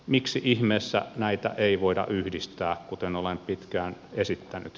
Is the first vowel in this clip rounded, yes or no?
no